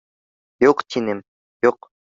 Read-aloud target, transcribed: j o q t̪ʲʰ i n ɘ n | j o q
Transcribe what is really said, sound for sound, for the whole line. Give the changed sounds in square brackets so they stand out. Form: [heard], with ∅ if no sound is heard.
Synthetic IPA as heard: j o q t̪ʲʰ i n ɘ [m] | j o q

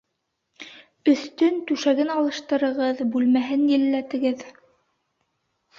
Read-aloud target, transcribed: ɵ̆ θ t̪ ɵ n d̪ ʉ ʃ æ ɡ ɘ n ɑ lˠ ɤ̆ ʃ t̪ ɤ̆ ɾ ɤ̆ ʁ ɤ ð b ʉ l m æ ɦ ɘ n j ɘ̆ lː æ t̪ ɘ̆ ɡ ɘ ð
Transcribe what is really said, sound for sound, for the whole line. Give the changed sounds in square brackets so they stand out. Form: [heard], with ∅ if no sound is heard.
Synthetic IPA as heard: ɵ̆ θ t̪ ɵ n [t̪] ʉ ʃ æ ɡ ɘ n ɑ lˠ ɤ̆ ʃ t̪ ɤ̆ ɾ ɤ̆ ʁ ɤ ð b ʉ l m æ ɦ ɘ n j ɘ̆ lː æ t̪ ɘ̆ ɡ ɘ ð

